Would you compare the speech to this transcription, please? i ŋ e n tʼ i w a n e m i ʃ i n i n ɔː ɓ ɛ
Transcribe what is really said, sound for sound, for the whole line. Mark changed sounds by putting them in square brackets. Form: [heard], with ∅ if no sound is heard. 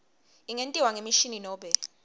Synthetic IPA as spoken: i ŋ e n tʼ i w a [ŋ] e m i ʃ i n i n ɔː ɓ ɛ

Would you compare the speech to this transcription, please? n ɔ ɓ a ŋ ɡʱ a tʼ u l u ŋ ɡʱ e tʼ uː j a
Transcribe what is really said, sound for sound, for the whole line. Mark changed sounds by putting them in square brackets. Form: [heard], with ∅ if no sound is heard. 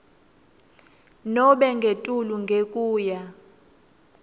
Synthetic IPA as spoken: n ɔ ɓ [ɛ] ŋ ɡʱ [e] tʼ u l u ŋ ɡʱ e [kʼ] uː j a

